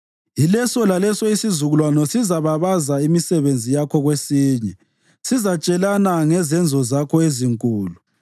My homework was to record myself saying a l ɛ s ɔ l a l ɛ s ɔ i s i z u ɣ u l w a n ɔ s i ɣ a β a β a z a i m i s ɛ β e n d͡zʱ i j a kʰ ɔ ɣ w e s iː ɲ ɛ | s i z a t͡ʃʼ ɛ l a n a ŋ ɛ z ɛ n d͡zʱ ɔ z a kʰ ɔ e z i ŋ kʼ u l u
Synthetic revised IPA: i l ɛ s ɔ l a l ɛ s ɔ i s i z u ɣ u l w a n ɔ s i z a β a β a z a i m i s ɛ β e n d͡zʱ i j a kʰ ɔ ɣ w e s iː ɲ ɛ | s i z a t͡ʃʼ ɛ l a n a ŋ ɛ z ɛ n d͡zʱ ɔ z a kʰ ɔ e z i ŋ kʼ uː l u

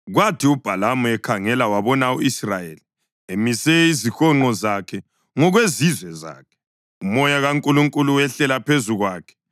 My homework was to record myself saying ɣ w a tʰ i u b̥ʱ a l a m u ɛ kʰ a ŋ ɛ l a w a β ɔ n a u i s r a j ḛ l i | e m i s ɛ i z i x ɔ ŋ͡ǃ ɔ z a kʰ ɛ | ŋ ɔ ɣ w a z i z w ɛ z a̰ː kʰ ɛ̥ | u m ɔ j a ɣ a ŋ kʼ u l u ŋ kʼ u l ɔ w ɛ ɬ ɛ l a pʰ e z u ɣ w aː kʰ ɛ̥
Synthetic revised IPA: ɣ w a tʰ i u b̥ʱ a l a m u ɛ kʰ a ŋ ɛ l a w a β ɔ n a u i s r a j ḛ l i | e m i s ɛ i z i x ɔ ŋ͡ǃ ɔ z a kʰ ɛ | ŋ ɔ ɣ w e z i z w ɛ z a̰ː kʰ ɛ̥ | u m ɔ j a ɣ a ŋ kʼ u l u ŋ kʼ u l u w ɛ ɬ ɛ l a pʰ e z u ɣ w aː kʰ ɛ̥

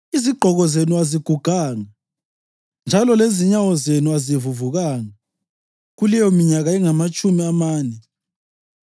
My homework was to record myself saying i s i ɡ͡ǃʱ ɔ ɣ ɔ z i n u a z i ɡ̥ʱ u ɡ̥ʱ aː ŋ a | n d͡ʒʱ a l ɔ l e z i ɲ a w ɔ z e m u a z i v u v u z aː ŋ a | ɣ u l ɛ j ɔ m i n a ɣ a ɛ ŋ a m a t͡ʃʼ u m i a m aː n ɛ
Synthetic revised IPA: i z i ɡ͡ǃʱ ɔ ɣ ɔ z e n u a z i ɡ̥ʱ u ɡ̥ʱ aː ŋ a | n d͡ʒʱ a l ɔ l e z i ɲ a w ɔ z e n u a z i v u v u ɣ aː ŋ a | ɣ u l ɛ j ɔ m i ɲ a ɣ a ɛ ŋ a m a t͡ʃʼ u m i a m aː n ɛ

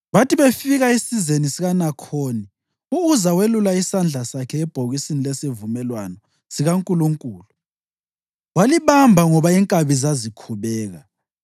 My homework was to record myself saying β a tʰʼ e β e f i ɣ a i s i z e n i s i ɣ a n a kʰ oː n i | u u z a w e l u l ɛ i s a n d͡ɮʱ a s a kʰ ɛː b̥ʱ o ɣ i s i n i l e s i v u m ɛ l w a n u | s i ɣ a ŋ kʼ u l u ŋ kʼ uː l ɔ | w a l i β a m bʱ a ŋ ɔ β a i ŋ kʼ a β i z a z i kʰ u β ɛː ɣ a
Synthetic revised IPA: β a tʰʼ i β e f i ɣ a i s i z e n i s i ɣ a n a kʰ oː n i | u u z a w e l u l a i s a n d͡ɮʱ a s a kʰ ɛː b̥ʱ o ɣ i s i n i l e s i v u m ɛ l w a n ɔ | s i ɣ a ŋ kʼ u l u ŋ kʼ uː l u | w a l i β a m bʱ a ŋ ɔ β a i ŋ kʼ a β i z a z i kʰ u β ɛː ɣ a

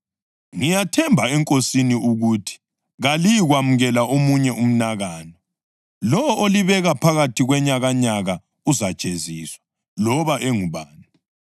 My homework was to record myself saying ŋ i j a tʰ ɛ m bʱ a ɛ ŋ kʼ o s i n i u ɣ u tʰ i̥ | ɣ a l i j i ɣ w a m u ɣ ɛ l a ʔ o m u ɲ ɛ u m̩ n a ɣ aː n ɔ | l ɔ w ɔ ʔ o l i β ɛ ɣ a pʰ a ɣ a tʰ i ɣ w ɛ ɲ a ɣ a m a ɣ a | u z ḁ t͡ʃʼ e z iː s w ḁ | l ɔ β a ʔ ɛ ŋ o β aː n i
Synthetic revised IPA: ŋ i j a tʰ ɛ m bʱ a ɛ ŋ kʼ o s i n i u ɣ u tʰ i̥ | ɣ a l i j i ɣ w a m u ɣ ɛ l a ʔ o m u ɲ ɛ u m̩ n a ɣ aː n ɔ | l ɔ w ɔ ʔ o l i β ɛ ɣ a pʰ a ɣ a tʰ i ɣ w ɛ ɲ a ɣ a ɲ a ɣ a | u z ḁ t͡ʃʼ e z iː s w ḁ | l ɔ β a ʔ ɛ ŋ u β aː n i

